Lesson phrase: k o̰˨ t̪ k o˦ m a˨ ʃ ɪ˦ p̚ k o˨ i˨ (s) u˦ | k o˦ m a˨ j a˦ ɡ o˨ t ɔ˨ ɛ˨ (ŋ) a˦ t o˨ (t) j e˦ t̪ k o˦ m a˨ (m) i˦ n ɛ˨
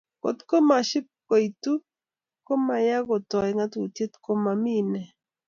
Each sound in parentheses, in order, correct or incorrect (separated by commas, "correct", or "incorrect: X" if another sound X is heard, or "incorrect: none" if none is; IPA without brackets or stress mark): incorrect: t, correct, correct, correct